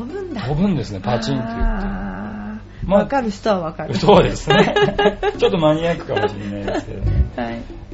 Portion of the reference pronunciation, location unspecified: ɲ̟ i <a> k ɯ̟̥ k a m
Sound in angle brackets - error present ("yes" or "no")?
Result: no